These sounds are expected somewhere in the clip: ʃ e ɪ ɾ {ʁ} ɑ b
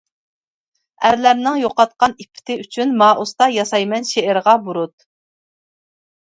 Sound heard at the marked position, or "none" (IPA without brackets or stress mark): ʁ